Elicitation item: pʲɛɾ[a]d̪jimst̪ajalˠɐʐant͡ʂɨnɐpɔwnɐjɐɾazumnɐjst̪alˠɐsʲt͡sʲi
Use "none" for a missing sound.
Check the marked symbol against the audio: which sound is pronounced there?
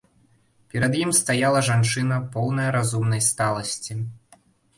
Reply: ɐ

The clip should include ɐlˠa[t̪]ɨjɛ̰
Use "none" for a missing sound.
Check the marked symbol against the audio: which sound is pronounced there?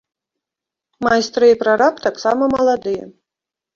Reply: d̪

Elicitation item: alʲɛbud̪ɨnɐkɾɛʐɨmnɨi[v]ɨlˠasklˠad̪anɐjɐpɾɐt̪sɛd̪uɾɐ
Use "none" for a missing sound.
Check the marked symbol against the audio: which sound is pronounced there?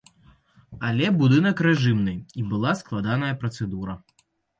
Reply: b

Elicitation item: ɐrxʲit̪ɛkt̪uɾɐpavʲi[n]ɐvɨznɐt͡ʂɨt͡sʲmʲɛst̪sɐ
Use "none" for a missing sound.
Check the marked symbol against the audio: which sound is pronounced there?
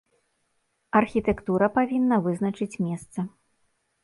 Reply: nː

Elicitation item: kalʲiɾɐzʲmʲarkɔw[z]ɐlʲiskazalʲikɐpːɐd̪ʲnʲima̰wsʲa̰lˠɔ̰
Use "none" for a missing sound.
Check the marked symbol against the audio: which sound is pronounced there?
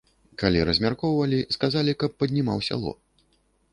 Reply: v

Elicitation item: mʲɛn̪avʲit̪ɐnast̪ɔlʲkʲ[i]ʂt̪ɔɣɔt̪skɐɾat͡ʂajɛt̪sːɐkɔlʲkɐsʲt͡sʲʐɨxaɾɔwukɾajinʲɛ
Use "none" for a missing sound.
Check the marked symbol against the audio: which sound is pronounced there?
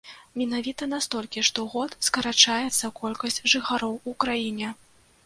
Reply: i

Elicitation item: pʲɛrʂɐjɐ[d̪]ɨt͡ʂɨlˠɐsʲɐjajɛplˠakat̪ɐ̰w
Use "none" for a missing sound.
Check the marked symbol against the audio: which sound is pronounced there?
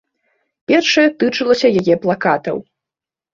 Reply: t̪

